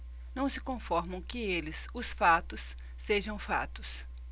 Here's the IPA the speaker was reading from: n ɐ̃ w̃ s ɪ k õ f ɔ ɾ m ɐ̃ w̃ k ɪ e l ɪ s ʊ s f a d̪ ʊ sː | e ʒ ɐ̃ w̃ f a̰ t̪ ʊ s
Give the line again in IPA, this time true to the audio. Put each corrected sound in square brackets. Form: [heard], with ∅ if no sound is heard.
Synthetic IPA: n ɐ̃ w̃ s ɪ k õ f ɔ ɾ m ɐ̃ w̃ k ɪ e l ɪ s ʊ s f a [t̪] ʊ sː | e ʒ ɐ̃ w̃ f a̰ t̪ ʊ s